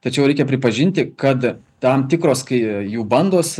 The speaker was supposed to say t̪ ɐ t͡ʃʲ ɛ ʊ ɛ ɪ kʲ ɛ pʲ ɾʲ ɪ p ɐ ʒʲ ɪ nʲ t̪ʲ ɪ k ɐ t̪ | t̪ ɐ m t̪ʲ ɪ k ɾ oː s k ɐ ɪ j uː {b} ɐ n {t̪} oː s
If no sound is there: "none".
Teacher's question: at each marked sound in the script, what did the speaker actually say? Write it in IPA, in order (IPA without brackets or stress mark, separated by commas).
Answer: b, d̪